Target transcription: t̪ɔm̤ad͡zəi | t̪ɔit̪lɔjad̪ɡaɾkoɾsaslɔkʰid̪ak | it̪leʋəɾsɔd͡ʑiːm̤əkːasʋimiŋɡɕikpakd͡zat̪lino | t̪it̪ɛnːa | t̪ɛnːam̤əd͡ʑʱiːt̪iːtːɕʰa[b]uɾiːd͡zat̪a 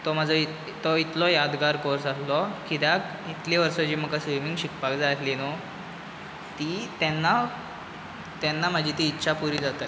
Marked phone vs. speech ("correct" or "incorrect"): incorrect